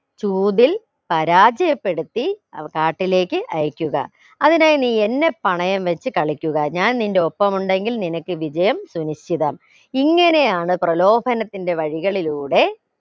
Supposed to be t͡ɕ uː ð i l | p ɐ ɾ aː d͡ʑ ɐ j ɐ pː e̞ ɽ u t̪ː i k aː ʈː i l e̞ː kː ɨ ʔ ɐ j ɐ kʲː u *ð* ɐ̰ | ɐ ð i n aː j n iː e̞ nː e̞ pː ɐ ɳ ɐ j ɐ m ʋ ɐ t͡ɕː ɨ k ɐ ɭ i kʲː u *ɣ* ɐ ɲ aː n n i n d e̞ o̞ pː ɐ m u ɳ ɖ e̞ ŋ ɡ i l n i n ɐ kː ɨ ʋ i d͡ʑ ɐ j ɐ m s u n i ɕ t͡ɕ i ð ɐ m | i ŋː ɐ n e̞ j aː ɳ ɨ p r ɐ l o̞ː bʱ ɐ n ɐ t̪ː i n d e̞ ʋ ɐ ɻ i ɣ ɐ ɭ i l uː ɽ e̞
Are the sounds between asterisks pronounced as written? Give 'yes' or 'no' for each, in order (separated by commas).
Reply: no, yes